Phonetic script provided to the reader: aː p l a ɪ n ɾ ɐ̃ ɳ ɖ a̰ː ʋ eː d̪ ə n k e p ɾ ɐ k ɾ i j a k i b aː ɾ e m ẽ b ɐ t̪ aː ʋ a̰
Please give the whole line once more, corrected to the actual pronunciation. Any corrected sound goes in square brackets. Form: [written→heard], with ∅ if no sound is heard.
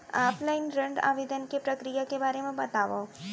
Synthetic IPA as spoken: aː p l a ɪ n ɾ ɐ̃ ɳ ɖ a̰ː ʋ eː d̪ ə n k e p ɾ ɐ k ɾ i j a k [i→e] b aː ɾ e m ẽ b ɐ t̪ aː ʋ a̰

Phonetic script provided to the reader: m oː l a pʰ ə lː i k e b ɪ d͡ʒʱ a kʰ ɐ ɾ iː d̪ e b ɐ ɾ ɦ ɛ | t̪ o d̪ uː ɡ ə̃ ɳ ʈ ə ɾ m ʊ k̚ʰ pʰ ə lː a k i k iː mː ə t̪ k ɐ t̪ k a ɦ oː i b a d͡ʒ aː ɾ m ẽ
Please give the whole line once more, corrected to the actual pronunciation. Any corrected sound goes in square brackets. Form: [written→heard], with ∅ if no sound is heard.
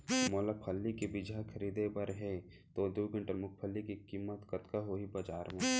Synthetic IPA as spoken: m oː l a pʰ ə lː i k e b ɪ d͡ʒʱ a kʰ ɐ ɾ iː d̪ e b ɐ ɾ ɦ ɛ | t̪ o d̪ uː ɡ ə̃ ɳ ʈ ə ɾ m ʊ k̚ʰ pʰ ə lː [a→i] k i k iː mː ə t̪ k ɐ t̪ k a ɦ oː i b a d͡ʒ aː ɾ m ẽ

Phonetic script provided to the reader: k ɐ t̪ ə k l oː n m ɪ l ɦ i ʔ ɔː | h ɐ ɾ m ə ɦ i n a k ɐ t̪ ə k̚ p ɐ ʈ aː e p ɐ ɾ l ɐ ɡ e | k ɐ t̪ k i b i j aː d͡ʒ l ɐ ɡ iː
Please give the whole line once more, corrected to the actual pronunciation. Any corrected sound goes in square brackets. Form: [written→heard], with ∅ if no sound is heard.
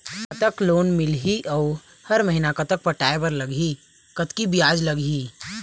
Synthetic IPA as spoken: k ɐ t̪ ə k l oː n m ɪ l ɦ i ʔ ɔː | h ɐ ɾ m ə ɦ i n a k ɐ t̪ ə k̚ p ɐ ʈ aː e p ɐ ɾ l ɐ ɡ [e→i] | k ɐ t̪ k i b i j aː d͡ʒ l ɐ ɡ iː

